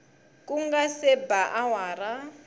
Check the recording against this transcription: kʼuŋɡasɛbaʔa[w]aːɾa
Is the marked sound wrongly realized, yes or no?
no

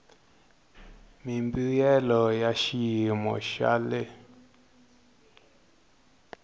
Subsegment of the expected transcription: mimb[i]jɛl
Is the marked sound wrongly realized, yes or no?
no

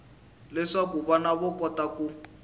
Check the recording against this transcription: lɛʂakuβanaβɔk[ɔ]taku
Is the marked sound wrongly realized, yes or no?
no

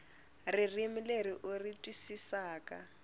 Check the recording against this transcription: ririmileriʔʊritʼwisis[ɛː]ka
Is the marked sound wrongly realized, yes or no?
yes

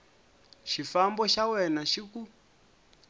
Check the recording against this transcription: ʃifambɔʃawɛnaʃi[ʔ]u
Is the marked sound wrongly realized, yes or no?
yes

